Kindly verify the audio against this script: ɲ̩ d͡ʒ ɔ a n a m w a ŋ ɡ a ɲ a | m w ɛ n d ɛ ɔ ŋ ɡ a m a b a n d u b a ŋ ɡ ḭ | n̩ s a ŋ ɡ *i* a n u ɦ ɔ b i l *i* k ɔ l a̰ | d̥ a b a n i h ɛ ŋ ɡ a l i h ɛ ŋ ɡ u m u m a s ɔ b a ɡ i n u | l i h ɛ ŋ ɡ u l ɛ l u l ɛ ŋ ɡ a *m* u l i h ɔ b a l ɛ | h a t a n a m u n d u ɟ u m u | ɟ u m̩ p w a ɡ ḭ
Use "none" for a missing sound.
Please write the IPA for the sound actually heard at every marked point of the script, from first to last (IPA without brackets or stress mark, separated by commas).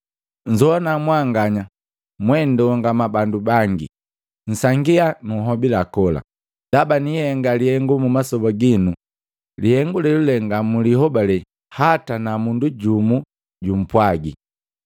i, a, m